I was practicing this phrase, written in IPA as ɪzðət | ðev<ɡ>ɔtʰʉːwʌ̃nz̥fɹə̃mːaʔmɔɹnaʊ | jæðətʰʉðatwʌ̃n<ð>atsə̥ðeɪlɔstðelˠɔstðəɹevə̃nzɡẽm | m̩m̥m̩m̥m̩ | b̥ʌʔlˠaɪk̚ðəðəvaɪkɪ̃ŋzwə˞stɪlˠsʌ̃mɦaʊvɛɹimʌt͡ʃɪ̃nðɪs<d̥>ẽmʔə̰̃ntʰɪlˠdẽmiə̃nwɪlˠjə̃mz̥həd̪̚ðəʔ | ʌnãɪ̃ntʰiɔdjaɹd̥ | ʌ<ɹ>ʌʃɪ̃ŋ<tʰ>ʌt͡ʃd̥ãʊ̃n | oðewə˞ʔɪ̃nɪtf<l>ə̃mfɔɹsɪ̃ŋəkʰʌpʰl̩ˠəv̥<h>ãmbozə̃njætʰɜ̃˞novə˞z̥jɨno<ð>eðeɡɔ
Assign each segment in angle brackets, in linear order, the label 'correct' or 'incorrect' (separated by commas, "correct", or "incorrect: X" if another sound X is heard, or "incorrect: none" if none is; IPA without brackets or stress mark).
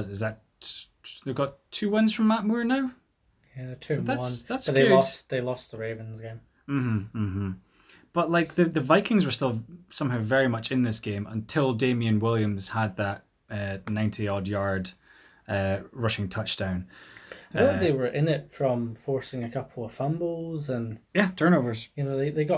correct, correct, incorrect: ɡ̥, correct, correct, incorrect: ɹ, incorrect: f, correct